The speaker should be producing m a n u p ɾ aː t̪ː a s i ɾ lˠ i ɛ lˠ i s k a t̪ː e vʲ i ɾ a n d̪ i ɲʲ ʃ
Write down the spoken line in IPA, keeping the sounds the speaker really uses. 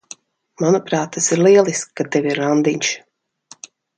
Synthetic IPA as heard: m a n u p ɾ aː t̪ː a s i ɾ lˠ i ɛ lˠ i s k a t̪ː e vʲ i ɾ a n d̪ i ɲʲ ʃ